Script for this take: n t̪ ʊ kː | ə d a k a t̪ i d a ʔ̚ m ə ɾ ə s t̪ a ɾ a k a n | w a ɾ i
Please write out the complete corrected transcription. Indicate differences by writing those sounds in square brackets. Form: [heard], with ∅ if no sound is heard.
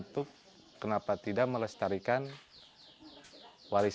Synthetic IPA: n t̪ ʊ kː | ə [n] a [p] a t̪ i d a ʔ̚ m ə [l] ə s t̪ a ɾ [i] k a n | w a ɾ i